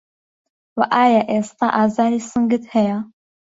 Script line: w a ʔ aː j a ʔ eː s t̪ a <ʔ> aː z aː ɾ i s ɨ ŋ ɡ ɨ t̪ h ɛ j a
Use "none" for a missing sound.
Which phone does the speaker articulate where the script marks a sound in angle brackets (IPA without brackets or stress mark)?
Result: ʔ